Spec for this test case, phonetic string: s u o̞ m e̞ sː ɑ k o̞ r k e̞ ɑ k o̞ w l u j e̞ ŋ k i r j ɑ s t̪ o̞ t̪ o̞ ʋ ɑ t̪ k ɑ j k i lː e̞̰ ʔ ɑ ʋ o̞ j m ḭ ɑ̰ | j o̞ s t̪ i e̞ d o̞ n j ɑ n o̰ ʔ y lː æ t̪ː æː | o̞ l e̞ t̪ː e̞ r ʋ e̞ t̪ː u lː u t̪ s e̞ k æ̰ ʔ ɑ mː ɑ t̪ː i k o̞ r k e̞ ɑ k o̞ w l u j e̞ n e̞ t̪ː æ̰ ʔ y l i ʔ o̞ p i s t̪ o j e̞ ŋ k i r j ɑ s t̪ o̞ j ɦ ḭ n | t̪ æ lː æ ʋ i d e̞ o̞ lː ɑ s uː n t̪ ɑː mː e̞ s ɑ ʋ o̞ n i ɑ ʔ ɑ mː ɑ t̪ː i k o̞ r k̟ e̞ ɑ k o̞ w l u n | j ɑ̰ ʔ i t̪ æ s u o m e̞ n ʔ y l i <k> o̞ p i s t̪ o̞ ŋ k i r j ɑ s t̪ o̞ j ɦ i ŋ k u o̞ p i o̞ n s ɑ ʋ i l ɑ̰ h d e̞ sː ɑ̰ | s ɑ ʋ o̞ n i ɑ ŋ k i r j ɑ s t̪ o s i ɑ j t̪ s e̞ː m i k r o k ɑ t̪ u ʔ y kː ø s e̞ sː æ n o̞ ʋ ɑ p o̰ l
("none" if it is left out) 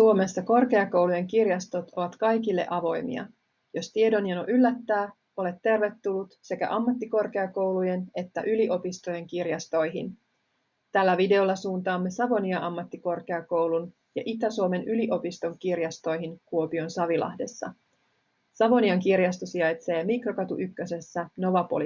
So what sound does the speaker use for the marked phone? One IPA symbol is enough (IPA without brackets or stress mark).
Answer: ʔ